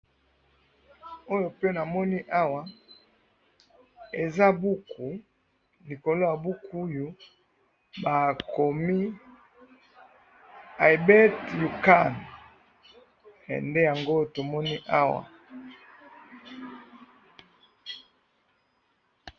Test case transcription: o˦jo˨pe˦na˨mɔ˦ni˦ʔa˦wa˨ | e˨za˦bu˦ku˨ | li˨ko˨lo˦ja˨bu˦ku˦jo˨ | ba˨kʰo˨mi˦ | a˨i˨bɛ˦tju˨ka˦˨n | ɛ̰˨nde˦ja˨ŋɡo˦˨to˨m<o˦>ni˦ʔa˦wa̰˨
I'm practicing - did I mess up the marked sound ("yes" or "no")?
yes